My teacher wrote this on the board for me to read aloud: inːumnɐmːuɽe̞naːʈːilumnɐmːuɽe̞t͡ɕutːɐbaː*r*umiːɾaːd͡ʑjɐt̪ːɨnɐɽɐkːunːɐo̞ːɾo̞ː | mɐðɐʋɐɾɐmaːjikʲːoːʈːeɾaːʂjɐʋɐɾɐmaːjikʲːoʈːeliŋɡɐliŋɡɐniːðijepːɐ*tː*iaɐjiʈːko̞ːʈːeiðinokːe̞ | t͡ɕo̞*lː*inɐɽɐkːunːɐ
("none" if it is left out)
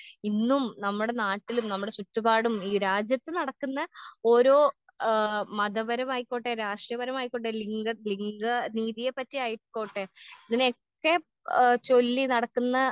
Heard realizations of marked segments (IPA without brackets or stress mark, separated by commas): ɽ, tː, lː